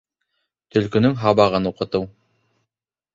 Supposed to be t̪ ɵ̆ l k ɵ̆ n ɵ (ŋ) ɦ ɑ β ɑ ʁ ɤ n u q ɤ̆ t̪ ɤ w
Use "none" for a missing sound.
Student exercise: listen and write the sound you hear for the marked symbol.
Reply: ŋ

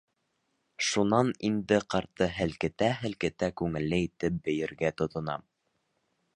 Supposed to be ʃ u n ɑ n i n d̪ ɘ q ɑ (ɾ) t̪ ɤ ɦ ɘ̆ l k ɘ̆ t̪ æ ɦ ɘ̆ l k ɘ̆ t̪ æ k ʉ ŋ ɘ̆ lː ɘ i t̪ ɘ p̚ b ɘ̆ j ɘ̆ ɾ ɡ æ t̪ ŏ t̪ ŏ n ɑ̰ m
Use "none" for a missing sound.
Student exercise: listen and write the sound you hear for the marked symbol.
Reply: ɾ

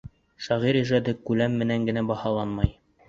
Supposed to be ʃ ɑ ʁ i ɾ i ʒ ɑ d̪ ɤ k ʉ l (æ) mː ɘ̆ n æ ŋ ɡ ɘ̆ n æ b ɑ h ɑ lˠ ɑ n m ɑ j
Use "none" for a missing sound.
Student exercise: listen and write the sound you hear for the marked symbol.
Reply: æ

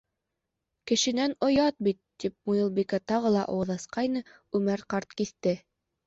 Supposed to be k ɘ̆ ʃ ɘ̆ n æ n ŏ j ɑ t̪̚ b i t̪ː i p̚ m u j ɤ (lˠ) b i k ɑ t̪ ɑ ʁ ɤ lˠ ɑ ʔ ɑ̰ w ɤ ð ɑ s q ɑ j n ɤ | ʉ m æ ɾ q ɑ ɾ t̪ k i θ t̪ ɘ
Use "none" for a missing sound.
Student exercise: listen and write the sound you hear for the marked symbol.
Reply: lˠ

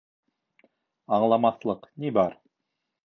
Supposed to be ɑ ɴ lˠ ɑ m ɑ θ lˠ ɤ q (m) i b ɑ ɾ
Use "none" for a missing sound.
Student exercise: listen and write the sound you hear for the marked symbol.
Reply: n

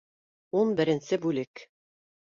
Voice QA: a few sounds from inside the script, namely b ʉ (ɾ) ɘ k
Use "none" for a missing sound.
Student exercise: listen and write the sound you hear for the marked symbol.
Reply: l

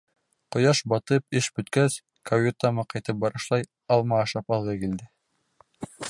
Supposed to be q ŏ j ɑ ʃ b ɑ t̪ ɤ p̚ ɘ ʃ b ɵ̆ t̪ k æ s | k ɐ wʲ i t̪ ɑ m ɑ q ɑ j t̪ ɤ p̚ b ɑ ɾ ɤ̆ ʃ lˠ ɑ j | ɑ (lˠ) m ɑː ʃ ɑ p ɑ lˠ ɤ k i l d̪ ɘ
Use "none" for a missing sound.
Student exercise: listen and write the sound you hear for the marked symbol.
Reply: lˠ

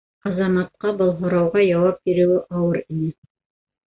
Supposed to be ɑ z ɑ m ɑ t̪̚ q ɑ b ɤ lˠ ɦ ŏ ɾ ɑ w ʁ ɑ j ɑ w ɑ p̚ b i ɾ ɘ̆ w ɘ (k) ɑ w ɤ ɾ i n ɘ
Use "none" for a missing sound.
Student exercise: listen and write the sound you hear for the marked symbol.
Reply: ʔ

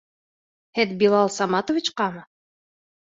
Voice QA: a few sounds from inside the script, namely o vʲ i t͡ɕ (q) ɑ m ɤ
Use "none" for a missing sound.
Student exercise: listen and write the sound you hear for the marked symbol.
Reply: q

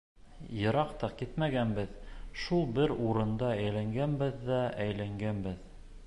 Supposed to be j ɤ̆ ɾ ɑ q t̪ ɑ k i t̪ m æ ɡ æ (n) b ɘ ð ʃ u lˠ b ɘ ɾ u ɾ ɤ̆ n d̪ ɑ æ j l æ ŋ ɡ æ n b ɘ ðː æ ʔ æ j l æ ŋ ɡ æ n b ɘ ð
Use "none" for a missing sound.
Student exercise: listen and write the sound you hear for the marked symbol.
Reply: n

